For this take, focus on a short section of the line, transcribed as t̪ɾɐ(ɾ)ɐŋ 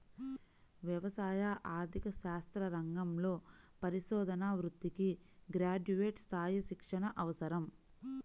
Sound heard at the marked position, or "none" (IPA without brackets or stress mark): ɾ